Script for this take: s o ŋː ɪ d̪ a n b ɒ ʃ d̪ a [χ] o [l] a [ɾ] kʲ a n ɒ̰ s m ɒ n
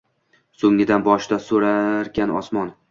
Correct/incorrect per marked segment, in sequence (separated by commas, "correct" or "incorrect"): incorrect, incorrect, correct